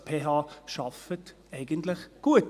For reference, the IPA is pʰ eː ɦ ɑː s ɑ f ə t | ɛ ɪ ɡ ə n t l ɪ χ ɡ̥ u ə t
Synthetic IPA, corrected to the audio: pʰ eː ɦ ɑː ʃ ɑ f ə t | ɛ ɪ ɡ ə n t l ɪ χ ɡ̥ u ə t